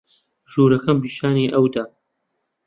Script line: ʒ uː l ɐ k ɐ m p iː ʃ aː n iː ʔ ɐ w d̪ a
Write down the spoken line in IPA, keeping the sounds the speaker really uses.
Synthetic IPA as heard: ʒ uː ɾ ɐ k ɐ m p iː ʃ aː n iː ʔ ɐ w d̪ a